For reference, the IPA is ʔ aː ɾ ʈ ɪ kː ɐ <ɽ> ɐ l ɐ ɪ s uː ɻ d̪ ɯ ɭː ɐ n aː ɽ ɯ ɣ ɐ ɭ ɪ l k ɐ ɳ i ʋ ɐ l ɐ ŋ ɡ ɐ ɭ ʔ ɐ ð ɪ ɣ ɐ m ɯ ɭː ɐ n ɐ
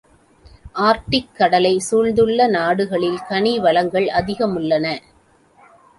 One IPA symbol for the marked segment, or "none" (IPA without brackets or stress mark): ɽ